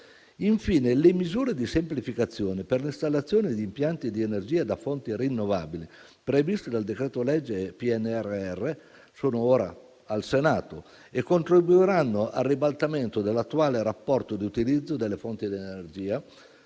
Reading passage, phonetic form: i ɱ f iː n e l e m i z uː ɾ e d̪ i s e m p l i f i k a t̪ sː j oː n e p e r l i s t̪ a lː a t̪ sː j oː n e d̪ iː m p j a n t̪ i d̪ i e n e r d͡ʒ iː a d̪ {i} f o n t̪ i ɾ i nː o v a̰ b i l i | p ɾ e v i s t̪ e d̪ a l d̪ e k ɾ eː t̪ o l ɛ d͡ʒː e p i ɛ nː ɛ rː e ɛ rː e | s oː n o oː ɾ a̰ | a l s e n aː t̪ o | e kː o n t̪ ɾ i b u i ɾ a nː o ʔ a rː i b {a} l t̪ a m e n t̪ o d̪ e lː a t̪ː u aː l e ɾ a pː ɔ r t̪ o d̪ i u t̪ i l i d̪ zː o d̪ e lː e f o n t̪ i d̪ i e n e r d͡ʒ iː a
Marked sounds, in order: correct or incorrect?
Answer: incorrect, correct

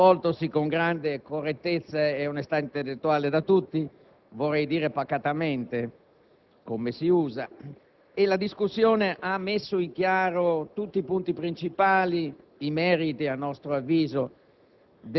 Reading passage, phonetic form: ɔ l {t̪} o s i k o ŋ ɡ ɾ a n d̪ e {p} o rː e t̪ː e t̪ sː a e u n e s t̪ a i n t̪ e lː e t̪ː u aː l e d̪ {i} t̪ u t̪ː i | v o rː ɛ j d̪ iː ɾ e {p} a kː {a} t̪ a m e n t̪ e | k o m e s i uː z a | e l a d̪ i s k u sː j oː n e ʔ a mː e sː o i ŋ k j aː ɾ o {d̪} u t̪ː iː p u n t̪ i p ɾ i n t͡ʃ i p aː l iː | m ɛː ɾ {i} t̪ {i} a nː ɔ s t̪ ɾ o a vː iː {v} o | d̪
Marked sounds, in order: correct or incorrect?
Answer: correct, incorrect, incorrect, correct, correct, incorrect, correct, correct, incorrect

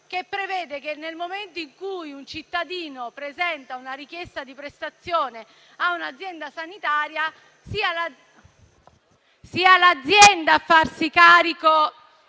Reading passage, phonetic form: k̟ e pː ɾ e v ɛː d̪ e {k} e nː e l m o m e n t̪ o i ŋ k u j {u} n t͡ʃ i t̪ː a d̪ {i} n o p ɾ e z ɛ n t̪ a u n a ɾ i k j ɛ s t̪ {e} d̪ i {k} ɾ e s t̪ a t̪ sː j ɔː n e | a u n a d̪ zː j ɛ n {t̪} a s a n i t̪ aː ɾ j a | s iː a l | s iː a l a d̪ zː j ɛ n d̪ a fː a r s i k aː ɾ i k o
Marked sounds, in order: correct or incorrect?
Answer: correct, correct, incorrect, incorrect, incorrect, incorrect

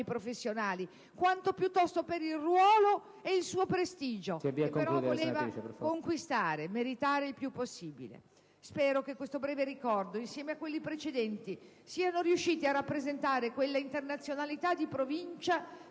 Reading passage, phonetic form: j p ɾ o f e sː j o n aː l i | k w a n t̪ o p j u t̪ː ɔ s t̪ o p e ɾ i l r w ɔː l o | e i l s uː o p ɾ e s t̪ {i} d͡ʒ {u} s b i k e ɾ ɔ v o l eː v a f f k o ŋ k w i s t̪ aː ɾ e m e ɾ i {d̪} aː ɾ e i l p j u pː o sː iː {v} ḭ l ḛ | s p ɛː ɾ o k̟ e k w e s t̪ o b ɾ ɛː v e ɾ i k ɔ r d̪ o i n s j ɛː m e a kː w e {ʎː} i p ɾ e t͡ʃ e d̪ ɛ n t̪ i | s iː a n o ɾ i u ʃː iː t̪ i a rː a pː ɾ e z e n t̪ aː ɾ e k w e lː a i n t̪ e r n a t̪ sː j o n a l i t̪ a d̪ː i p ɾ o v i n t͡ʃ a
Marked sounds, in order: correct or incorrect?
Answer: incorrect, incorrect, incorrect, incorrect, incorrect

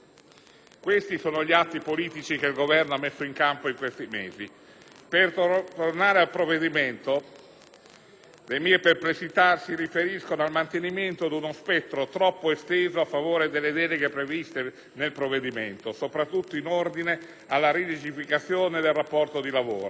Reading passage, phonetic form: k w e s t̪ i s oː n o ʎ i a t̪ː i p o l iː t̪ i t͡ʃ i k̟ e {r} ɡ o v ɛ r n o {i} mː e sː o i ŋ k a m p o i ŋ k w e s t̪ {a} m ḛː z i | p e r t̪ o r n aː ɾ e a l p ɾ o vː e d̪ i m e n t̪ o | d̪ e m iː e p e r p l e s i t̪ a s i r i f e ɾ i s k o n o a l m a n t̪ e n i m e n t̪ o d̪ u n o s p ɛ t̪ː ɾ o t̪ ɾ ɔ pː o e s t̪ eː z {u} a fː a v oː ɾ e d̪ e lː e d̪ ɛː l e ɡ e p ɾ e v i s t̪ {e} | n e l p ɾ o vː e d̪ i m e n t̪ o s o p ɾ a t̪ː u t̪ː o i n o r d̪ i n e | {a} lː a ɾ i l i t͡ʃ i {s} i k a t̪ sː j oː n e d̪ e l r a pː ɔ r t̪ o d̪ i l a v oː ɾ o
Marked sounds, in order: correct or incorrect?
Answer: incorrect, incorrect, incorrect, incorrect, correct, correct, incorrect

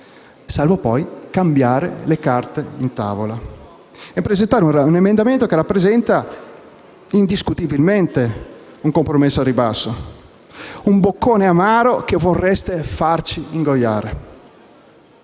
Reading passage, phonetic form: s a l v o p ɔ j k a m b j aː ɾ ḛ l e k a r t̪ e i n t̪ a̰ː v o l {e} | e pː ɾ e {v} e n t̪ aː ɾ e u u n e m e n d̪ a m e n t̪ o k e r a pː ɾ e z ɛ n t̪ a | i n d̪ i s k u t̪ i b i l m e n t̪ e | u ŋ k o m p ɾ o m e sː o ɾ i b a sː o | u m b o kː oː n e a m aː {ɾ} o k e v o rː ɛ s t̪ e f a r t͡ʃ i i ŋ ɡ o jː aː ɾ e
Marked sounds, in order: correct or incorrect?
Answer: incorrect, incorrect, correct

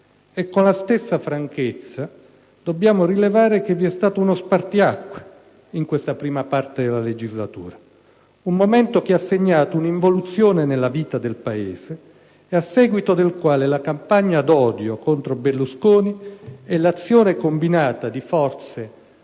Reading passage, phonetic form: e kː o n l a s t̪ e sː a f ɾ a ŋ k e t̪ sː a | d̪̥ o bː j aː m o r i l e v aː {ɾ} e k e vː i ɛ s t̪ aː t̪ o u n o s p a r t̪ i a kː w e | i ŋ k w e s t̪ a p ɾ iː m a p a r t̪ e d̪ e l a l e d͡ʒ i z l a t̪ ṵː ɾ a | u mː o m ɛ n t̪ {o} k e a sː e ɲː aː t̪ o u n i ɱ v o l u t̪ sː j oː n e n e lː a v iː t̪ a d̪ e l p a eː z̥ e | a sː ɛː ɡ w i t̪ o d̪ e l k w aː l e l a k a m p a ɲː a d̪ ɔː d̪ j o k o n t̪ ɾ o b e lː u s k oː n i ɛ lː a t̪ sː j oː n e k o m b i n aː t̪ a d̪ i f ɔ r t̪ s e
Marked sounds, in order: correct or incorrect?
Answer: correct, correct

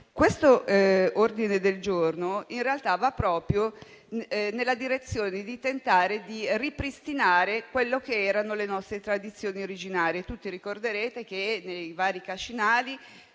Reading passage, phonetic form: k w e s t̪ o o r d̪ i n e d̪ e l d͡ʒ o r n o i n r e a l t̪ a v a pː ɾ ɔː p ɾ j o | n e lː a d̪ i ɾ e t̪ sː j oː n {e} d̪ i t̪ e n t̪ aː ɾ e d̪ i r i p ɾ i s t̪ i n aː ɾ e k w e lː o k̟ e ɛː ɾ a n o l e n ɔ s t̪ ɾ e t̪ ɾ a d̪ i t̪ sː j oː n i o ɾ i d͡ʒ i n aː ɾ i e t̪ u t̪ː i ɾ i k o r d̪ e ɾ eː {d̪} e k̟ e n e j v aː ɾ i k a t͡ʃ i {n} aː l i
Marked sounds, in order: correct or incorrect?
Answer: correct, incorrect, correct

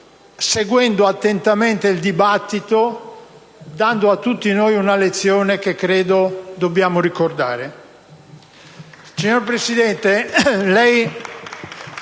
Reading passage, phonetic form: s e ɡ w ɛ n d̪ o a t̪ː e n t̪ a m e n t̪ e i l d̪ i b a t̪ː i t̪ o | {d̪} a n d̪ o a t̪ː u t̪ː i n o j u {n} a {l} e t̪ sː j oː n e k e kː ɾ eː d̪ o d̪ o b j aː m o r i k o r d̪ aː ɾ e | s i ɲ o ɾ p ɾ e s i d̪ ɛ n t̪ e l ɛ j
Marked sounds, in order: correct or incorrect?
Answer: correct, correct, correct

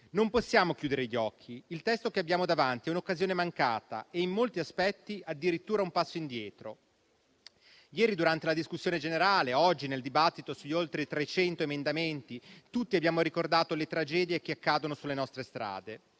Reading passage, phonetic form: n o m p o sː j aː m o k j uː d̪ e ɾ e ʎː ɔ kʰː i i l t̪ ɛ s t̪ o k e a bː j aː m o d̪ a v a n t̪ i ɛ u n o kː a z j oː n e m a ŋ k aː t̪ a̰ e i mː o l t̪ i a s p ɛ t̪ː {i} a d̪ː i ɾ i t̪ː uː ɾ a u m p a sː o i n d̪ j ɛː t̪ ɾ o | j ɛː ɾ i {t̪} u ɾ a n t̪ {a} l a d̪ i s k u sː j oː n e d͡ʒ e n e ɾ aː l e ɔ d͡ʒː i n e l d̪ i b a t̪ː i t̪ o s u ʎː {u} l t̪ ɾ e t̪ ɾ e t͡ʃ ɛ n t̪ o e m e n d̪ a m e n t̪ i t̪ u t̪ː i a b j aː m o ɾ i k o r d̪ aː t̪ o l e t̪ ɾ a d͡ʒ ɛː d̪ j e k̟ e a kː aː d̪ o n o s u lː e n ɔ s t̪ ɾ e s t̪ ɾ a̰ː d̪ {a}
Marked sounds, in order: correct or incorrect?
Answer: correct, incorrect, incorrect, incorrect, incorrect

